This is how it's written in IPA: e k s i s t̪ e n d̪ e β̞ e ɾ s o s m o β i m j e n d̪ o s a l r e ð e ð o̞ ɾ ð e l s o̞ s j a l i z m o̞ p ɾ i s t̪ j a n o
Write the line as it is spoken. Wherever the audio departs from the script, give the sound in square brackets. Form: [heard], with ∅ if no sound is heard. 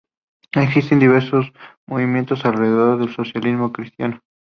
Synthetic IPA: e k s i s t̪ e n d̪ [i] β̞ e ɾ s o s m o β i m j e n [t̪] o s a l r e ð e ð o̞ ɾ ð e l s o̞ s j a l i z m o̞ [k] ɾ i s t̪ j a n o